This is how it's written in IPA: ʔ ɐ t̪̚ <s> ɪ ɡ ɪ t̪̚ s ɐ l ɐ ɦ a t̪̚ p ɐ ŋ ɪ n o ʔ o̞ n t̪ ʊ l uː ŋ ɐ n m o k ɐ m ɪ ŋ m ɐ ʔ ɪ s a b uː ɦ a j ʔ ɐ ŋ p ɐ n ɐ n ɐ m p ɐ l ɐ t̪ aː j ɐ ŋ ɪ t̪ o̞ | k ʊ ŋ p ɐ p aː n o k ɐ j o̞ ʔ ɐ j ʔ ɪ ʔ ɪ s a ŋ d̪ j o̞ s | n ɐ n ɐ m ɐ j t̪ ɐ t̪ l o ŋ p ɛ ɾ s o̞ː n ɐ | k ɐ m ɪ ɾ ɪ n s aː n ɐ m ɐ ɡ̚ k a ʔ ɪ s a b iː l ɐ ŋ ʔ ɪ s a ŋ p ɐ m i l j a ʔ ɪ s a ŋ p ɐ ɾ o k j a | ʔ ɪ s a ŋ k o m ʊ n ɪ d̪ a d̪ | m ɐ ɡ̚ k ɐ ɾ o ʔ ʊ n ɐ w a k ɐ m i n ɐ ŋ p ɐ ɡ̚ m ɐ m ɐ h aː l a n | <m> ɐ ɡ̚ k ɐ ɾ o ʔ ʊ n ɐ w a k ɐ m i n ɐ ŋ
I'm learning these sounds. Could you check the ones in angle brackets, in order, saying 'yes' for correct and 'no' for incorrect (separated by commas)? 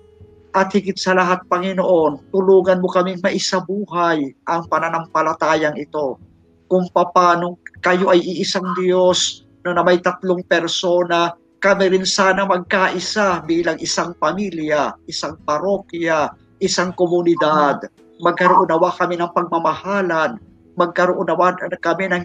no, yes